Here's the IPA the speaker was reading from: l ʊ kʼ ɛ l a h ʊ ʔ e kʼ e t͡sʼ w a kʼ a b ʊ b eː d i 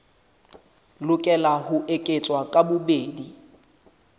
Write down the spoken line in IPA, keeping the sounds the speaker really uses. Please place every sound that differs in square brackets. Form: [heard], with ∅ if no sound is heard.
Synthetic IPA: l ʊ kʼ ɛ l a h ʊ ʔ e kʼ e t͡sʼ w a kʼ a b ʊ b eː d i